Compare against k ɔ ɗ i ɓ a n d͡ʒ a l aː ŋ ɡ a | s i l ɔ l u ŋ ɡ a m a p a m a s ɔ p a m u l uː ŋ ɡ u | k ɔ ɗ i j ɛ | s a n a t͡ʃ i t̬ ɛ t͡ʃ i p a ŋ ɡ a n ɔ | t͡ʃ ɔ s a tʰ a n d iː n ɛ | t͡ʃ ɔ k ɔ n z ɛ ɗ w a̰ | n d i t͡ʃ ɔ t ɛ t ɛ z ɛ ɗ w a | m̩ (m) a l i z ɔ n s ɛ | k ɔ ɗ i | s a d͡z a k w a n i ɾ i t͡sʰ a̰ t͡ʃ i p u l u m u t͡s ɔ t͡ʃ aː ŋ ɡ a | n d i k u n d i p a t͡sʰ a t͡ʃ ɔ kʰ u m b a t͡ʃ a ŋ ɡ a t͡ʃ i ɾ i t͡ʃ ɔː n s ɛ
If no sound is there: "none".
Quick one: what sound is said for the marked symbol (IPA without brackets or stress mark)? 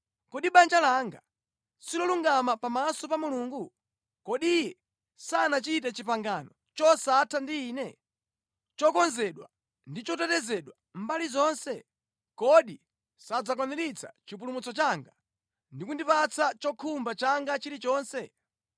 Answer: b